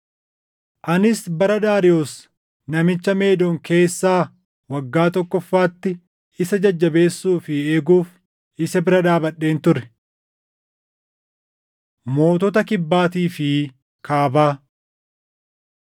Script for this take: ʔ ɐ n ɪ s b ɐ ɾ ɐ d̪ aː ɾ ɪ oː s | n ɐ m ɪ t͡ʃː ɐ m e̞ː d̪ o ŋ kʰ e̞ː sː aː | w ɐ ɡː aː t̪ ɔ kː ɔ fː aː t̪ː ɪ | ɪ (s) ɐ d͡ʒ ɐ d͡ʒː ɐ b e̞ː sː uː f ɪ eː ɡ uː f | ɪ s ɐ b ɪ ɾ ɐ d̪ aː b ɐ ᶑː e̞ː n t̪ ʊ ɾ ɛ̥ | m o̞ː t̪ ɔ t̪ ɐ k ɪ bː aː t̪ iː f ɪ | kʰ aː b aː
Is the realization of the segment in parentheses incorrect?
no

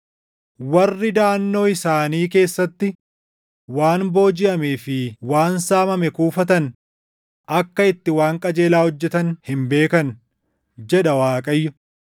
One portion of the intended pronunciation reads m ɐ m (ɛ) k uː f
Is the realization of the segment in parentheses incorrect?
no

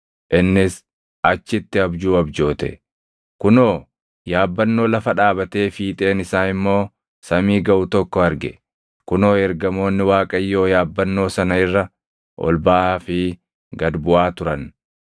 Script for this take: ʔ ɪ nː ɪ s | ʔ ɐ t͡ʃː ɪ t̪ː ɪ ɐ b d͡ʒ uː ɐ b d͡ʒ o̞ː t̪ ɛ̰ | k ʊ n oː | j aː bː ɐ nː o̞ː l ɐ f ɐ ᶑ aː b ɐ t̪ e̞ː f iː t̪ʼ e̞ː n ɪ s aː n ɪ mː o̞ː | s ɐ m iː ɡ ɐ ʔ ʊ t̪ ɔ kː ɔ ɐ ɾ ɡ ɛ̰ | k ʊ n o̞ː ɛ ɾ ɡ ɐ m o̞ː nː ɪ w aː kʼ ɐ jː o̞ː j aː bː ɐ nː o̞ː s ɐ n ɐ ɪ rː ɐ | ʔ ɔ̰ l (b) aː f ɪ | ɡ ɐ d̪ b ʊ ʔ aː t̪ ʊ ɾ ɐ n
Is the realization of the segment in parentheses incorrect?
no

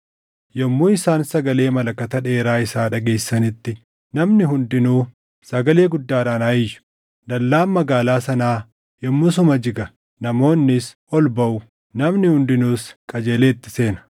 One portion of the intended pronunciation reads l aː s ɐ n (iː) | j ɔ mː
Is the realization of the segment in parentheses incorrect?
yes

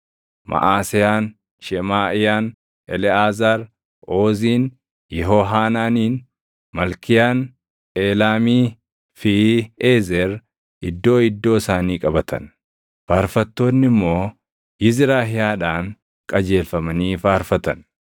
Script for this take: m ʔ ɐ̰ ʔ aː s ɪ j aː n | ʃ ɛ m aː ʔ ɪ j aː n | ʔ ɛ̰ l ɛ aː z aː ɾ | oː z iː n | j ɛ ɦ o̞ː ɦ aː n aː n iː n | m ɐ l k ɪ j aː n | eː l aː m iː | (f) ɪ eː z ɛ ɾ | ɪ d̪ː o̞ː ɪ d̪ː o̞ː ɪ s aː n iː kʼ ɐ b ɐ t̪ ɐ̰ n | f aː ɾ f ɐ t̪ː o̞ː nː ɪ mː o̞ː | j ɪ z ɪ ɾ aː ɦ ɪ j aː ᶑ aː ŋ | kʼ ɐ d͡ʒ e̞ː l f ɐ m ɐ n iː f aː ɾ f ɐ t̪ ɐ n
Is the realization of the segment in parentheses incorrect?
no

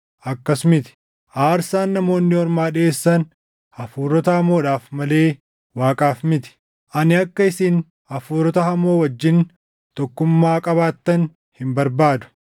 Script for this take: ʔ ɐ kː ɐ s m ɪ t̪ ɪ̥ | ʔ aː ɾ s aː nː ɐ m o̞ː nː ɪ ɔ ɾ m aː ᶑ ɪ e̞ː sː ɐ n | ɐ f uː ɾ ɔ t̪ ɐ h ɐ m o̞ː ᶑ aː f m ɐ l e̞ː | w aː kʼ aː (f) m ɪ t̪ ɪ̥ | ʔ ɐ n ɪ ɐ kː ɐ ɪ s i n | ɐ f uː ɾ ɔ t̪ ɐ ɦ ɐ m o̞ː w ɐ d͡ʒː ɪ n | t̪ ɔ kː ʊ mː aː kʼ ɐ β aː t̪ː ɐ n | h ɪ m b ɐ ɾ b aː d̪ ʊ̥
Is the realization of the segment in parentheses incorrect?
no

